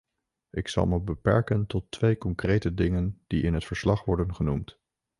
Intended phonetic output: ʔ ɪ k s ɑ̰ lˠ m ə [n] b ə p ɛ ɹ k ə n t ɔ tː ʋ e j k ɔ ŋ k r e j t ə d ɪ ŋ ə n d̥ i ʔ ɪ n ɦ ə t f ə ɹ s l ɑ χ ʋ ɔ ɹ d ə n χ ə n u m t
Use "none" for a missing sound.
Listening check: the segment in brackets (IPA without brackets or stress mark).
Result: none